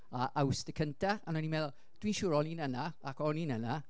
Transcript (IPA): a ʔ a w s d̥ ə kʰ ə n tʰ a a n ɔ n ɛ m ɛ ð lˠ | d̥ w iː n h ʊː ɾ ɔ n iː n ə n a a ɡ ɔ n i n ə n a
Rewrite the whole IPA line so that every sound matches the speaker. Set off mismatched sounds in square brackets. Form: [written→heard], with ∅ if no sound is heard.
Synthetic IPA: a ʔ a w s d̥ ə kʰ ə n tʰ a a n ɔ n [ɛ→i] m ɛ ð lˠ | d̥ w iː n [h→ʃ] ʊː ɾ ɔ n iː n ə n a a [ɡ→k] ɔ n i n ə n a